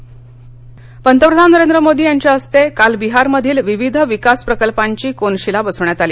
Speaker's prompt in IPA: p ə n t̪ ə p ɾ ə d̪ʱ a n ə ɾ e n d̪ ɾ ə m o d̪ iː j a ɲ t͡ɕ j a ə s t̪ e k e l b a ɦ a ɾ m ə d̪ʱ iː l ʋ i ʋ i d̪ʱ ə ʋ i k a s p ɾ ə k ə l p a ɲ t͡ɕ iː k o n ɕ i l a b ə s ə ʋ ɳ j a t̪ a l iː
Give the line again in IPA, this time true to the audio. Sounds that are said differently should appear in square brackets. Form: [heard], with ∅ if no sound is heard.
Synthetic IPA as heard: p ə n t̪ ə p ɾ ə d̪ʱ a n ə ɾ e n d̪ ɾ ə m o d̪ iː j a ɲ t͡ɕ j a ə s t̪ e k [a] l b [i] ɦ a ɾ m ə d̪ʱ iː l ʋ i ʋ i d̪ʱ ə ʋ i k a s p ɾ ə k ə l p a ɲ t͡ɕ iː k o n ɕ i l a b ə s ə ʋ ɳ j a t̪ a l iː